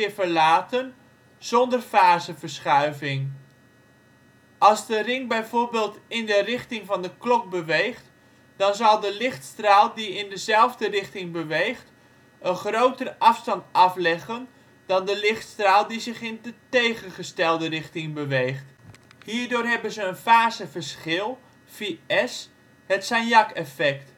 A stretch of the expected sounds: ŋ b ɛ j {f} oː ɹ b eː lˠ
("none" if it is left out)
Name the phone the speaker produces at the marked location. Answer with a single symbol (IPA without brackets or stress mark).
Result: v